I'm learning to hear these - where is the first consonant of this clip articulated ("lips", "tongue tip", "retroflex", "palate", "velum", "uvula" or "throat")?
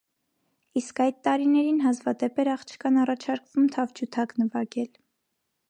tongue tip